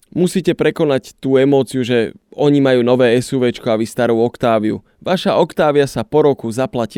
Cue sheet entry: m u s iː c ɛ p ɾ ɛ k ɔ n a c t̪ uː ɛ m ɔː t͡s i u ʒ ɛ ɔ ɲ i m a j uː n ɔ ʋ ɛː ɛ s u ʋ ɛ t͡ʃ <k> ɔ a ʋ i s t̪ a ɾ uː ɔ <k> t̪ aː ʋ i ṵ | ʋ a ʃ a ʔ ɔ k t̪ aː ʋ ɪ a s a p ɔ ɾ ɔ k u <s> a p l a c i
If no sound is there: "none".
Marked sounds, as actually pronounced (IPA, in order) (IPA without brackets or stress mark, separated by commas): k, k, z